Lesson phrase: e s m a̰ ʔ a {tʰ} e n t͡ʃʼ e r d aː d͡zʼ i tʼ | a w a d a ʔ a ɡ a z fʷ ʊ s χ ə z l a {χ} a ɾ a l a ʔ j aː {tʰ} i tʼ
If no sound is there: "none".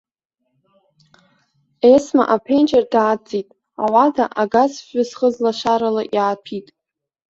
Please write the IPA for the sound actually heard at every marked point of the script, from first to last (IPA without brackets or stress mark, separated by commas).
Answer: pʰ, ʃ, pʰ